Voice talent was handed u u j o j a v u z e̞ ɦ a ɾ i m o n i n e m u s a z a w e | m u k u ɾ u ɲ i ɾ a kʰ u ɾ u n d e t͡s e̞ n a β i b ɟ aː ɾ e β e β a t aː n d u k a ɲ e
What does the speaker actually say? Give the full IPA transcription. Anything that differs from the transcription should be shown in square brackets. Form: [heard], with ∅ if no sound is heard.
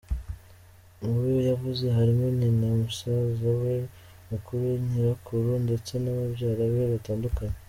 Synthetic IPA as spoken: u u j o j a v u z e̞ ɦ a ɾ i m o n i n [a] m u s a z a w e | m u k u ɾ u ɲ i ɾ a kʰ u ɾ u n d e t͡s e̞ n a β [a] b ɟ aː ɾ [a] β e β a t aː n d u k a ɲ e